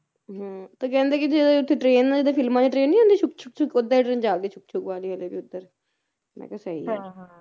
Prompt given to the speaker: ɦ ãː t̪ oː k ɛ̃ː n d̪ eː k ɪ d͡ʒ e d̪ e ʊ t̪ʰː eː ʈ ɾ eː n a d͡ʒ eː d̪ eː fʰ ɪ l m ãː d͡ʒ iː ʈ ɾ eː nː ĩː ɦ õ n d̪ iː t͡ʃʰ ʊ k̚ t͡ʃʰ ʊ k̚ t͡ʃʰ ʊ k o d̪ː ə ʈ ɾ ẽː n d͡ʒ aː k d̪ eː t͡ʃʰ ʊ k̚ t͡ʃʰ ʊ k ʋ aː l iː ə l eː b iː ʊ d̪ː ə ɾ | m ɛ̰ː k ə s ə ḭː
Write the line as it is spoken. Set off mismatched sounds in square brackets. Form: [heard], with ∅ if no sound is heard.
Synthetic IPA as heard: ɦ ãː t̪ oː k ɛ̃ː n d̪ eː k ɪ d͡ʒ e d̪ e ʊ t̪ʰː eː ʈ ɾ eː n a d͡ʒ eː d̪ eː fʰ ɪ l m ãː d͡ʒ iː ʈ ɾ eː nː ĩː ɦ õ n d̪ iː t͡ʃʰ ʊ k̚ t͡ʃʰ ʊ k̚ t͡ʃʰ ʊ k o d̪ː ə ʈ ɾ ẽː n d͡ʒ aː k d̪ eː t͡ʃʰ ʊ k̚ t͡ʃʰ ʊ k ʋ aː l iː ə l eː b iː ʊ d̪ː ə ɾ | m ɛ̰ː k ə s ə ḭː